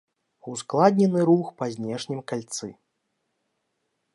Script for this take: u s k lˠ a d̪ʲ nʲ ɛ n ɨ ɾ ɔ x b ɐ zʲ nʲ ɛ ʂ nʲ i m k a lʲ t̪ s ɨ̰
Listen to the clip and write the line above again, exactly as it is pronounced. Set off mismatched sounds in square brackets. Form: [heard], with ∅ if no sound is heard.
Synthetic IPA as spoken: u s k lˠ a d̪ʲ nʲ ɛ n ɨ ɾ [u] x [p] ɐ zʲ nʲ ɛ ʂ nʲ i m k a lʲ t̪ s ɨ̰